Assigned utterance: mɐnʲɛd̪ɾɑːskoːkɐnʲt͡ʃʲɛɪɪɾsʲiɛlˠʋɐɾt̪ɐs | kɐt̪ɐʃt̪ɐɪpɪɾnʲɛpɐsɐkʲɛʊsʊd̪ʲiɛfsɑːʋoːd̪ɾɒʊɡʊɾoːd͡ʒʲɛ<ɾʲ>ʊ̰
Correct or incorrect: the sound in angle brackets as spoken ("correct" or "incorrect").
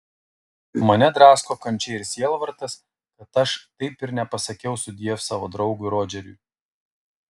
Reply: correct